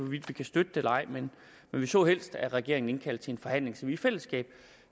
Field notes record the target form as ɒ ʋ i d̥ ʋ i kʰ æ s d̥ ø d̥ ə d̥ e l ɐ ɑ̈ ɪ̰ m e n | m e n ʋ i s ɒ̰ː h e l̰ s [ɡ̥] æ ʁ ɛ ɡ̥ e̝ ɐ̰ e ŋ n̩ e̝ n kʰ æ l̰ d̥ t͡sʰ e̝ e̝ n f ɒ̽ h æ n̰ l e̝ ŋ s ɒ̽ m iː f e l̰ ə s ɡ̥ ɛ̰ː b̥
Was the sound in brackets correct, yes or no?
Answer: no